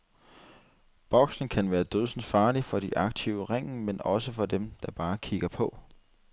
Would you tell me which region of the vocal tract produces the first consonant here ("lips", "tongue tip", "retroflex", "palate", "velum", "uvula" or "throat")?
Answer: lips